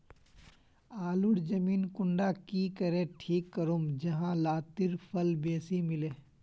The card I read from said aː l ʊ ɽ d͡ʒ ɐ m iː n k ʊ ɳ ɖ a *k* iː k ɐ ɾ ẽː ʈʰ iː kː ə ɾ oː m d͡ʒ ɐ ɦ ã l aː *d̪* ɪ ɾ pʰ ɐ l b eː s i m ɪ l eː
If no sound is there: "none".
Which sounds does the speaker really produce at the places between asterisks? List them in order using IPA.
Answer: k, t̪

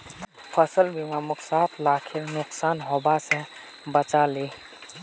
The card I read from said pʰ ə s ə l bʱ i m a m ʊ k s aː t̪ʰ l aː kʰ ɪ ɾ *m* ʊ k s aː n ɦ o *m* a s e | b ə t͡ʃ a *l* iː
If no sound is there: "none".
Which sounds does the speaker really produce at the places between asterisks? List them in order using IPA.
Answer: n, b, l

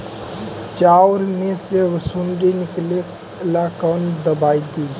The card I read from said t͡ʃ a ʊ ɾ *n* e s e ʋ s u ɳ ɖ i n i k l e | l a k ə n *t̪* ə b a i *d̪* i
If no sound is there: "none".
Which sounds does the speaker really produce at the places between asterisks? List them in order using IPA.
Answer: m, d̪, d̪

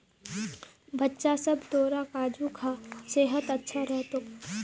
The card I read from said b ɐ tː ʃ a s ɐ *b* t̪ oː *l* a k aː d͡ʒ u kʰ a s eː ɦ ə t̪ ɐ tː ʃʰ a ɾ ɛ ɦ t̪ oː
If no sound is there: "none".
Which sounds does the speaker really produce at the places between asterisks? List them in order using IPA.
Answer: b, ɾ

